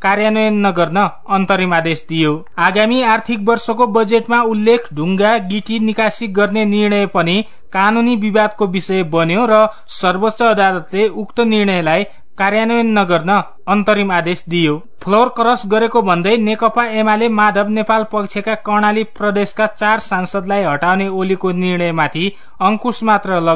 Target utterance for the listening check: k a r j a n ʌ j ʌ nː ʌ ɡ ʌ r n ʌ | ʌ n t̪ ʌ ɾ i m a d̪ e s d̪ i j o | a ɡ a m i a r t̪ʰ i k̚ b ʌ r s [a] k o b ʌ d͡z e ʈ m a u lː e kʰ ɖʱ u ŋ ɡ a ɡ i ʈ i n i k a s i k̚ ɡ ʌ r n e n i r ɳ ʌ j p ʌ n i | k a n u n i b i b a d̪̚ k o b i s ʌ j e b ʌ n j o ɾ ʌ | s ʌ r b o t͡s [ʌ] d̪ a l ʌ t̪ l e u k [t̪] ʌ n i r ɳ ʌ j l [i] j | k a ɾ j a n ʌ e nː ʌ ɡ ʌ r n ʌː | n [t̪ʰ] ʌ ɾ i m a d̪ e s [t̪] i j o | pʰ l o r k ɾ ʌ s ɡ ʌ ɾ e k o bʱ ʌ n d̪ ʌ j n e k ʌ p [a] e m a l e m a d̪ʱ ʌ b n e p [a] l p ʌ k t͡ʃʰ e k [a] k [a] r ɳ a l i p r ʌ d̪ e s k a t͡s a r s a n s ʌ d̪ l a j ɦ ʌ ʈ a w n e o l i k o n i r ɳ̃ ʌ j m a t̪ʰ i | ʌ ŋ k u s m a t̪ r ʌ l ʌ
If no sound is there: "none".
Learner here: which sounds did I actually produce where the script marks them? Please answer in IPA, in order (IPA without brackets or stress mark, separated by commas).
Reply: ʌ, ʌː, t̪, a, t̪, d̪, a, a, a, ʌ